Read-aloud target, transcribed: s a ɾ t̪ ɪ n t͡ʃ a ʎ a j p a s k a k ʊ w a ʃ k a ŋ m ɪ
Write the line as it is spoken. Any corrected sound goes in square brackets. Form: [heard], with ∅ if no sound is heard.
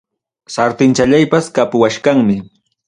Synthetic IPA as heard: s a ɾ t̪ ɪ n t͡ʃ a ʎ a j p a s k a [p] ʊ w a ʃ k a ŋ m ɪ